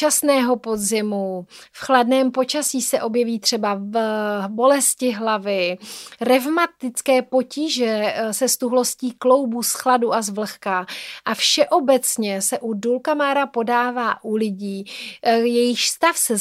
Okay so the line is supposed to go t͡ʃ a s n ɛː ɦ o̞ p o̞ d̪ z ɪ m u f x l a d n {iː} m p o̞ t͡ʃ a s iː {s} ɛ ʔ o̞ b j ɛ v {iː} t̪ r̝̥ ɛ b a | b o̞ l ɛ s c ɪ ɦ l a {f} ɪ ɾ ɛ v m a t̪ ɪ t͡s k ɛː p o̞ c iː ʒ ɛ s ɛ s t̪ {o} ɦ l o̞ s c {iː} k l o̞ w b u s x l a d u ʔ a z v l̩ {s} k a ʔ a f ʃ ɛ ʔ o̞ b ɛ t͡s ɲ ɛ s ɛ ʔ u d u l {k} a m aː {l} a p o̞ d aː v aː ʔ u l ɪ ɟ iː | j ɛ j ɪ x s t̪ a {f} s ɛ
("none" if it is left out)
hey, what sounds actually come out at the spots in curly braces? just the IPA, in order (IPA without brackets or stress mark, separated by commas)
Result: ɛː, s, iː, v, u, iː, x, k, ɾ, f